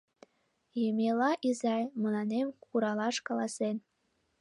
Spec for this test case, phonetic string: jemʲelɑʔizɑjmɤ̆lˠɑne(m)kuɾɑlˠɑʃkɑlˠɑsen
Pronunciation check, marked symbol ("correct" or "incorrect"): correct